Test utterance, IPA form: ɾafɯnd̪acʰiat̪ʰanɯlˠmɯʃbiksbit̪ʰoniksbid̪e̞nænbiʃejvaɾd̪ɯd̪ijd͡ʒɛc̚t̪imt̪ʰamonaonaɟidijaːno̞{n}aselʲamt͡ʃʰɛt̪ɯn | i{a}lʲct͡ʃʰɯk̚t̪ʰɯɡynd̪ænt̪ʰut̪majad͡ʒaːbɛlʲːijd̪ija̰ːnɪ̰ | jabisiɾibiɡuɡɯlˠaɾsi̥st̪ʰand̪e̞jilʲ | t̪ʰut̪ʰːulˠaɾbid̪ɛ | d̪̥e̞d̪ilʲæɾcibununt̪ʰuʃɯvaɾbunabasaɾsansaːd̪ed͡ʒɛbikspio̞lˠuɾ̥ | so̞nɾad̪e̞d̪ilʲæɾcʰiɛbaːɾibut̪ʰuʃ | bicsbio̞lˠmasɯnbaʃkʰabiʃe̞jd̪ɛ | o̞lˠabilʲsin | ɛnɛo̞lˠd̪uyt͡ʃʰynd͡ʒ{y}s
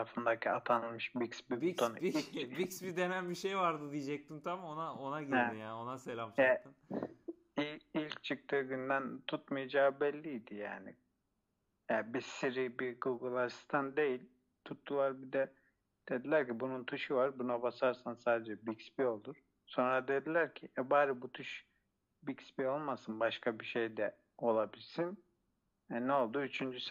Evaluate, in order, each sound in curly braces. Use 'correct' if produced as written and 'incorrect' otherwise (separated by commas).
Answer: correct, incorrect, correct